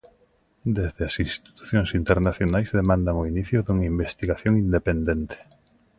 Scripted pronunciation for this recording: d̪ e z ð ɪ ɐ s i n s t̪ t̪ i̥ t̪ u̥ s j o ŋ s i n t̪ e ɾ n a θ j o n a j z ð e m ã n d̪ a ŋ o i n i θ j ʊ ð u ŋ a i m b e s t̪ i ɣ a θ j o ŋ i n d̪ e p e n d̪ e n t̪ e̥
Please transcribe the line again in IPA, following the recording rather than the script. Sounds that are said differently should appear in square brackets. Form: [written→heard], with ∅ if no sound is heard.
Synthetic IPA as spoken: d̪ e z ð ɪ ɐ s i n s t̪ t̪ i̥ t̪ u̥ [s→θ] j o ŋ s i n t̪ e ɾ n a θ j o n a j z ð e m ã n d̪ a ŋ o i n i θ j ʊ ð u ŋ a i m b e s t̪ i ɣ a θ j o ŋ i n d̪ e p e n d̪ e n t̪ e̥